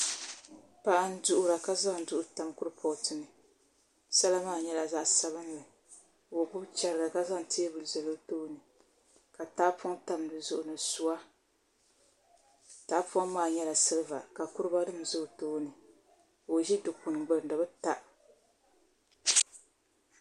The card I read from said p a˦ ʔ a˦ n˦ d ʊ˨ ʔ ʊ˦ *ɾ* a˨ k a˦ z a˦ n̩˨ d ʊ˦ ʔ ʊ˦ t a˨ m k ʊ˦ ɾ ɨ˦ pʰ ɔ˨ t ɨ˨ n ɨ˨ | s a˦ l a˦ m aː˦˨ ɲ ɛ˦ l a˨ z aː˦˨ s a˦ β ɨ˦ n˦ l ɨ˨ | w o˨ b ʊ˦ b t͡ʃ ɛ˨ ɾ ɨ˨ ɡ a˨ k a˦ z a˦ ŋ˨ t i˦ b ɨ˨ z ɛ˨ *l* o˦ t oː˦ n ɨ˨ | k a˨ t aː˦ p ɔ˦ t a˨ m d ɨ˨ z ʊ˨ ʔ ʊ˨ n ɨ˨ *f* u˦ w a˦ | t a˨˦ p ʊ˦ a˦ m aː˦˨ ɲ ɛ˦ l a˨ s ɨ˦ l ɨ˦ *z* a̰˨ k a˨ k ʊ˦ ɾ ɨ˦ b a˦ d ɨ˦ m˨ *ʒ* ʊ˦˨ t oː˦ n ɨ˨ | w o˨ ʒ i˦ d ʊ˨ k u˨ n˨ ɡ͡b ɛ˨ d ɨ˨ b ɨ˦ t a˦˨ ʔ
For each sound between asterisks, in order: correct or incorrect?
correct, correct, incorrect, incorrect, incorrect

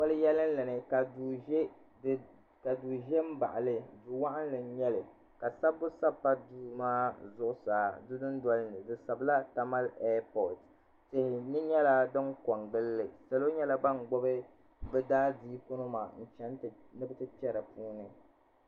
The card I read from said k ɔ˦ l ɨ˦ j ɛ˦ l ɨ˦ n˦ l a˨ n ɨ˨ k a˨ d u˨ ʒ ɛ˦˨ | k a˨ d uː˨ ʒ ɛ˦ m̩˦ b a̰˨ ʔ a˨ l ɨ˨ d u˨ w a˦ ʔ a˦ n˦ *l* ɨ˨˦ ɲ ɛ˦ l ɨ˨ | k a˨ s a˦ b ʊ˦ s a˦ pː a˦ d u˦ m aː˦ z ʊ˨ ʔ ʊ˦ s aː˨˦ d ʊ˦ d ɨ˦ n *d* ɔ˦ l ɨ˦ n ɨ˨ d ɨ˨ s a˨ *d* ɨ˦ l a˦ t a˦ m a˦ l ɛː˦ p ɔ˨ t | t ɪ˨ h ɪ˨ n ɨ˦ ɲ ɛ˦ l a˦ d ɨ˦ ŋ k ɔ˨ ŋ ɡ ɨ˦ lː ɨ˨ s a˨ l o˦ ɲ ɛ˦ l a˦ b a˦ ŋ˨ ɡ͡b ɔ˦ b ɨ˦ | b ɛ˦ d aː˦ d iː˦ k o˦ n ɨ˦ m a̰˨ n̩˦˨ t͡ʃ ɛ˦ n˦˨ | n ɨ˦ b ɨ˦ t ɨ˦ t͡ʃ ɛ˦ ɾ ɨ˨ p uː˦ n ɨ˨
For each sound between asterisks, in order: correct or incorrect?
correct, correct, incorrect

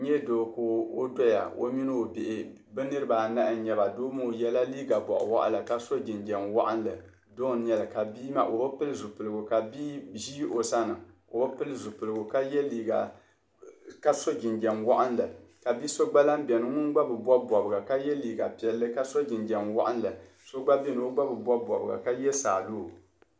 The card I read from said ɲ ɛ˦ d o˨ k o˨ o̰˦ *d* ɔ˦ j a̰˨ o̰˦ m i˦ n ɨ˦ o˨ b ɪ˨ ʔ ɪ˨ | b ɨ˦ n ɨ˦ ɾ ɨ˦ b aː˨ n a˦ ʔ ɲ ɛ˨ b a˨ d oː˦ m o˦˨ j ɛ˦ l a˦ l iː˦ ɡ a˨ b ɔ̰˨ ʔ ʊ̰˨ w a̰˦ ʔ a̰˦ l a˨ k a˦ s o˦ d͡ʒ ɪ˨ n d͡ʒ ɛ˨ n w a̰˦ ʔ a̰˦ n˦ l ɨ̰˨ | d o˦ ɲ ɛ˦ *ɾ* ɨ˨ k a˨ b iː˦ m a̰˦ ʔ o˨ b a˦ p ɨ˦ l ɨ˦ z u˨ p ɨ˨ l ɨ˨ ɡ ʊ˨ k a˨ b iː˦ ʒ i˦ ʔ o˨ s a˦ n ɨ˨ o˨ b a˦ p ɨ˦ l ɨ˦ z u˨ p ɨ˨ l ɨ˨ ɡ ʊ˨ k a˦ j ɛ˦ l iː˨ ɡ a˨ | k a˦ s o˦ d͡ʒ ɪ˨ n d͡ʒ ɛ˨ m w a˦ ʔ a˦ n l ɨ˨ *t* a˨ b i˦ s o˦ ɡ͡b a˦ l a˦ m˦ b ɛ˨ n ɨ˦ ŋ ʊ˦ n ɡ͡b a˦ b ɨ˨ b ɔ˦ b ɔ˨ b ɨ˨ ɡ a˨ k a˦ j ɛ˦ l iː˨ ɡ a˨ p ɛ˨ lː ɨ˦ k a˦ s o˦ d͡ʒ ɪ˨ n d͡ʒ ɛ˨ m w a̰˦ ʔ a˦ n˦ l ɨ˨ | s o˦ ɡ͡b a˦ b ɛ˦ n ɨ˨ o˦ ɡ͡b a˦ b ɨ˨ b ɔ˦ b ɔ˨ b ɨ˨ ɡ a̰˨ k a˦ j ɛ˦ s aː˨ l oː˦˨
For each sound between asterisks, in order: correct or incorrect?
correct, incorrect, incorrect

